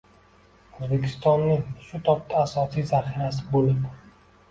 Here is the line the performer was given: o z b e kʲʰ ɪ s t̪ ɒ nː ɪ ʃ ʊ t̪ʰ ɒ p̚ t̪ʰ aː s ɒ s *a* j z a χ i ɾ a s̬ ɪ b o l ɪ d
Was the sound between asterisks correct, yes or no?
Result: no